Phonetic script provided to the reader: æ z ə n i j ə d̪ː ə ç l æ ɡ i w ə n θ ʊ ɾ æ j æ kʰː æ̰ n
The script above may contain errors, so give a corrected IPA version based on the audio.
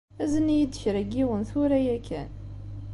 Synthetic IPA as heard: æ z ə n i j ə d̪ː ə ç ɾ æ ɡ i w ə n θ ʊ ɾ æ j æ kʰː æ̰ n